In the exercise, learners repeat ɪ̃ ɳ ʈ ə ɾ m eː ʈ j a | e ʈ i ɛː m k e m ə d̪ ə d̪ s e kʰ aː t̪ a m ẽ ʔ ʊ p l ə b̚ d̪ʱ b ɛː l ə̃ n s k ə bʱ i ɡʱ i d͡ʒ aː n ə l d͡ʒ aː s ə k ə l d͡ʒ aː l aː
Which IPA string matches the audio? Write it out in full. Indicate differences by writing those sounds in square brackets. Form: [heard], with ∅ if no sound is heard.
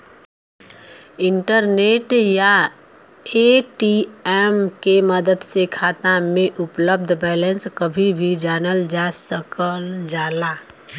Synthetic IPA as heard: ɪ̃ ɳ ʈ ə ɾ [n] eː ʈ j a | e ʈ i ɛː m k e m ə d̪ ə d̪ s e kʰ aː t̪ a m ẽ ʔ ʊ p l ə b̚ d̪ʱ b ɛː l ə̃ n s k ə bʱ i [bʱ] i d͡ʒ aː n ə l d͡ʒ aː s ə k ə l d͡ʒ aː l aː